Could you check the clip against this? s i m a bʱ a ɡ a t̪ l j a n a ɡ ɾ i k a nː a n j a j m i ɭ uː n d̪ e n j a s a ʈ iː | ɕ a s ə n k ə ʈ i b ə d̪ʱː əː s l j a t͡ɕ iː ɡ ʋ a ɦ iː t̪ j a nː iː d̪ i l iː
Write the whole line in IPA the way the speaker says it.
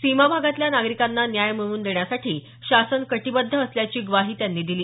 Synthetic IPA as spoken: s i m a bʱ a ɡ a t̪ l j a n a ɡ ɾ i k a nː a n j a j m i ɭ uː n d̪ e ɳ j a s a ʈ iː | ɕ a s ə n k ə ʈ i b ə d̪ʱː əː s l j a t͡ɕ iː ɡ ʋ a ɦ iː t̪ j a nː iː d̪ i l iː